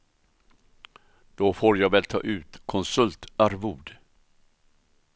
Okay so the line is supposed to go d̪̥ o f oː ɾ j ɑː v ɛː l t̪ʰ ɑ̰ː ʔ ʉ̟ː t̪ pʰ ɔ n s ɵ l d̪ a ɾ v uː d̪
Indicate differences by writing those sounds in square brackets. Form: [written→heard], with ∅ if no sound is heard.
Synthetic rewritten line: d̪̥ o f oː ɾ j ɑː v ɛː l t̪ʰ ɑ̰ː ʔ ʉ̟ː t̪ [pʰ→kʰ] ɔ n s ɵ l [d̪→t̪] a ɾ v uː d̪